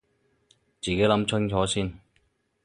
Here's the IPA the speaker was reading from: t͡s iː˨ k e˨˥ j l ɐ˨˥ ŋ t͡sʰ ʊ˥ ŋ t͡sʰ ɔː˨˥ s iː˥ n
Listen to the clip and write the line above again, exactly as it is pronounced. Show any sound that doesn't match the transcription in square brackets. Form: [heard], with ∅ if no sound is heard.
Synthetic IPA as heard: t͡s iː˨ k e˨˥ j l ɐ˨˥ [m] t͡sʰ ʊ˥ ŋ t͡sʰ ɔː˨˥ s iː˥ n